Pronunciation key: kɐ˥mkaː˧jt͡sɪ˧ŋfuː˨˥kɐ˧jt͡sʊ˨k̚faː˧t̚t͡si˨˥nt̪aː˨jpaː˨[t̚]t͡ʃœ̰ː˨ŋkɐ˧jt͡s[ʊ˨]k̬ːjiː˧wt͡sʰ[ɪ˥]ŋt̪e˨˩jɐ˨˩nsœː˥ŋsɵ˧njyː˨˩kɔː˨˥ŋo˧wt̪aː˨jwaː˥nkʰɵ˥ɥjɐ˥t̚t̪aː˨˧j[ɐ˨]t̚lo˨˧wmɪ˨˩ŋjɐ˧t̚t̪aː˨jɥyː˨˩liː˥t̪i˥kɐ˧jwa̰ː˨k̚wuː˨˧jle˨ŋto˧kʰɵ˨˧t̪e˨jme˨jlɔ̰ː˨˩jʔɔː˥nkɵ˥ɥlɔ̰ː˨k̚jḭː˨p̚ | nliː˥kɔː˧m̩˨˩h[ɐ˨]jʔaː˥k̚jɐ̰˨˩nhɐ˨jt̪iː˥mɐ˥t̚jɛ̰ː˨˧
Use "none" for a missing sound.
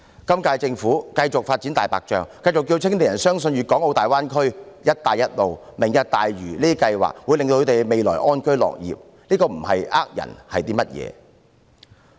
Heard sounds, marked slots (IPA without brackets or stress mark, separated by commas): k̚, ʊ˨, ɪ˥, ɐ˥, ɐ˨